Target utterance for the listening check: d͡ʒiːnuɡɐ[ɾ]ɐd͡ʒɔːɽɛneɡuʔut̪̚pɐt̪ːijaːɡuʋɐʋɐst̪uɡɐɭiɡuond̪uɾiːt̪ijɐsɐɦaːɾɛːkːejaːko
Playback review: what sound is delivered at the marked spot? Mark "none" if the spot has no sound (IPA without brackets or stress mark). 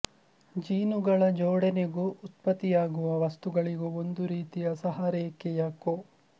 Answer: ɭ